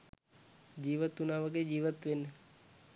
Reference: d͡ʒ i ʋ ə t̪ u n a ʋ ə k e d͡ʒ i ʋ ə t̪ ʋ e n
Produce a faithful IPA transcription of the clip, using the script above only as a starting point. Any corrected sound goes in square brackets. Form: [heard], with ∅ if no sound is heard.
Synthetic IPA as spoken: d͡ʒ i ʋ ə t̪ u n a ʋ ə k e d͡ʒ i ʋ ə t̪ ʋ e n